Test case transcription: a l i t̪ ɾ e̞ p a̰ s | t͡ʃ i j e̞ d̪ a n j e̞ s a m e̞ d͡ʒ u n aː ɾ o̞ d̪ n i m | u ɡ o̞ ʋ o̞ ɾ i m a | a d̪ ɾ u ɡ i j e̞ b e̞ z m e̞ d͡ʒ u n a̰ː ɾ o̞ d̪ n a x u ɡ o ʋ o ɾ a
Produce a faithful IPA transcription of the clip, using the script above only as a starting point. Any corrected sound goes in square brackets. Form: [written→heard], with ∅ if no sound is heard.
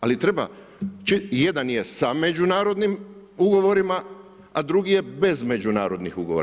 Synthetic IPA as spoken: a l i t̪ ɾ e̞ [p→b] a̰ [s→∅] | t͡ʃ i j e̞ d̪ a n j e̞ s a m e̞ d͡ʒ u n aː ɾ o̞ d̪ n i m | u ɡ o̞ ʋ o̞ ɾ i m a | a d̪ ɾ u ɡ i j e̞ b e̞ z m e̞ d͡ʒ u n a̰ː ɾ o̞ d̪ n [a→i] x u ɡ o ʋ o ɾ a